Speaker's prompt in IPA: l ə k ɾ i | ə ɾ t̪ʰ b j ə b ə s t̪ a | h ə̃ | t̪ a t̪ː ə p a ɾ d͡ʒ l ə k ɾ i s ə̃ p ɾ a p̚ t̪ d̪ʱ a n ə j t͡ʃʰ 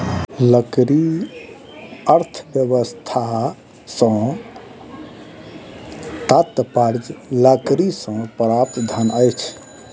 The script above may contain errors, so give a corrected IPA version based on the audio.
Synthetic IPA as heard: l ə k ɾ i | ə ɾ t̪ʰ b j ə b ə s t̪ʰ a | s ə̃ | t̪ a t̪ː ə p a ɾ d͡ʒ l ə k ɾ i s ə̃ p ɾ a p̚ t̪ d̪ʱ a n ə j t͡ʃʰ